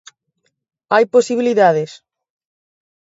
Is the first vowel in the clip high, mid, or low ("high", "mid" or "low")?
low